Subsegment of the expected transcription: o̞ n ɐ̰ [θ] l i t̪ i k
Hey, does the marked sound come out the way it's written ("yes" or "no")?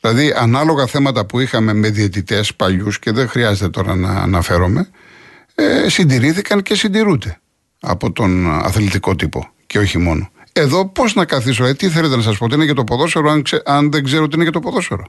yes